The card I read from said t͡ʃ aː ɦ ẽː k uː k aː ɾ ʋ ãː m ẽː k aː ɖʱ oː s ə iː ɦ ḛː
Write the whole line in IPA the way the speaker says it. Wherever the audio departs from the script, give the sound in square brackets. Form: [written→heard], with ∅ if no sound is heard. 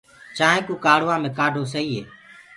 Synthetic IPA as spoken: t͡ʃ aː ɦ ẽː k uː k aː [ɾ→ɽ] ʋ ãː m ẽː k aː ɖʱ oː s ə iː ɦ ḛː

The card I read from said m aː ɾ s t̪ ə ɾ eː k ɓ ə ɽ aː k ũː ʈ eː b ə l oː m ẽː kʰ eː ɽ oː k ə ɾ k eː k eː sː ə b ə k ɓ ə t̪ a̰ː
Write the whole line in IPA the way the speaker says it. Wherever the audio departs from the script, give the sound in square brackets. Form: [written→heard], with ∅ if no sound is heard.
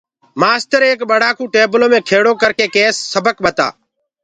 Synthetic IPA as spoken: m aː [ɾ→∅] s t̪ ə ɾ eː k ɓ ə ɽ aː k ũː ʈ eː b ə l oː m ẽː kʰ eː ɽ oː k ə ɾ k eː k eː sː ə b ə k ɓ ə t̪ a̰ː

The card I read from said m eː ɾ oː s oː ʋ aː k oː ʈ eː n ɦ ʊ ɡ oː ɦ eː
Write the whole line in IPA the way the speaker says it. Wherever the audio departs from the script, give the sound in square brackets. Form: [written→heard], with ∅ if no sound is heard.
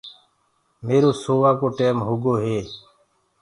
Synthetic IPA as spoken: m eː ɾ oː s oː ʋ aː k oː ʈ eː [n→m] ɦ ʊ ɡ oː ɦ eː

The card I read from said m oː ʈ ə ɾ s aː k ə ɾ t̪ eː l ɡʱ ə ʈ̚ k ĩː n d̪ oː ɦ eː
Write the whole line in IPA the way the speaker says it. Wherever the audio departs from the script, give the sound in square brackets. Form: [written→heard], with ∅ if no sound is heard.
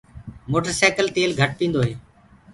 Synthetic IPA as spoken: m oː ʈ ə ɾ s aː k ə [ɾ→l] t̪ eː l ɡʱ ə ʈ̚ [k→p] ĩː n d̪ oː ɦ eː

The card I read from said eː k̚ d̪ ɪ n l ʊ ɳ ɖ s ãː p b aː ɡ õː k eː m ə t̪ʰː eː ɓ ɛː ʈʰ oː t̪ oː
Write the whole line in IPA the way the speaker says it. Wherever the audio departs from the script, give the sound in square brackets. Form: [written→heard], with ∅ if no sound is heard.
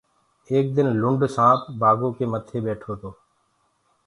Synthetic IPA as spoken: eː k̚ d̪ ɪ n l ʊ ɳ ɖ s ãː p b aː ɡ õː k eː m ə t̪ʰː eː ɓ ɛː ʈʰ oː t̪ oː

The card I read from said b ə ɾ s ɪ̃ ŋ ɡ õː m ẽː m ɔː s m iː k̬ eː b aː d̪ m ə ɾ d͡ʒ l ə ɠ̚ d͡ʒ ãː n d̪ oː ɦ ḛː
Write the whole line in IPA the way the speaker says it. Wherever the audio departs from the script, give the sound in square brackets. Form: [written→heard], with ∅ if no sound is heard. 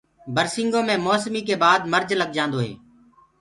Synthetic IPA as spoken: b ə ɾ s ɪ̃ ŋ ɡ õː m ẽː m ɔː s m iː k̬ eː b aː d̪ m ə ɾ d͡ʒ l ə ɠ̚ d͡ʒ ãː n d̪ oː ɦ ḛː

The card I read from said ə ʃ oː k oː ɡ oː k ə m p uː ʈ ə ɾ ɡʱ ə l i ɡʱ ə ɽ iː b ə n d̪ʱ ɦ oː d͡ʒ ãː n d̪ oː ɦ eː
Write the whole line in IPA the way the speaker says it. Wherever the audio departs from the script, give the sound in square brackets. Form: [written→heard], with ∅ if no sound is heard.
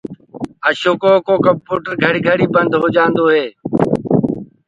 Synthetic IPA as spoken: ə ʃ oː k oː [ɡ→k] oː k ə m p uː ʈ ə ɾ ɡʱ ə [l→ɽ] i ɡʱ ə ɽ iː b ə n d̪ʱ ɦ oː d͡ʒ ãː n d̪ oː ɦ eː

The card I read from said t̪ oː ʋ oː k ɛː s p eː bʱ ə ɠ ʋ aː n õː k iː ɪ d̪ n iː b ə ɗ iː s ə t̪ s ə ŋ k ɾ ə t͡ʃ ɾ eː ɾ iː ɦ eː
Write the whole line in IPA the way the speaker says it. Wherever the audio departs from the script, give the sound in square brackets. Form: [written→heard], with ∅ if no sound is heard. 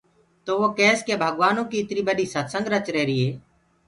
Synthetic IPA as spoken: t̪ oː ʋ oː k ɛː s [p→k] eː bʱ ə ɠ ʋ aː n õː k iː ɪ [d̪→t̪] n iː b ə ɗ iː s ə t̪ s ə ŋ [k→ɡ] ɾ ə t͡ʃ ɾ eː ɾ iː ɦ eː

